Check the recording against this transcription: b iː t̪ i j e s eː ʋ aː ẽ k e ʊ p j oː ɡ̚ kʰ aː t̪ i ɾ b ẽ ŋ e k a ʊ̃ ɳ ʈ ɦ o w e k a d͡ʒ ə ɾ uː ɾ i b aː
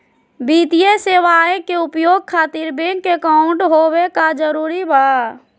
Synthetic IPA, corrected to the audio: b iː t̪ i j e s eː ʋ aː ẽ k e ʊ p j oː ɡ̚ kʰ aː t̪ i ɾ b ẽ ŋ e k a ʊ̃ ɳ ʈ ɦ o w e k a d͡ʒ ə ɾ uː ɾ i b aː